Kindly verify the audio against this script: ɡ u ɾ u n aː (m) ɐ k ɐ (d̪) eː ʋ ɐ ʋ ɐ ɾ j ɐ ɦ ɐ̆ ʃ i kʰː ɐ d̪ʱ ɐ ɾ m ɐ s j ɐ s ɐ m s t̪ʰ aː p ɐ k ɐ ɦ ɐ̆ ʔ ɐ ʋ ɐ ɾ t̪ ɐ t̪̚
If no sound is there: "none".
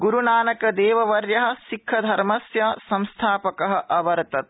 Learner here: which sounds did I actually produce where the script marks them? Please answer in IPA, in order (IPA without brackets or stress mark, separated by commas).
n, d̪